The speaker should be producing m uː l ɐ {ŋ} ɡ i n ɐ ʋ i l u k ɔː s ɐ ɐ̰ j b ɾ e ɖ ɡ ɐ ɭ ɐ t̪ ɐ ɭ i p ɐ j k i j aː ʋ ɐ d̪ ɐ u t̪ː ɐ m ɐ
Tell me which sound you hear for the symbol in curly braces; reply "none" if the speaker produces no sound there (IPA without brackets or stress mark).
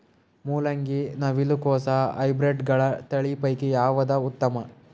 ŋ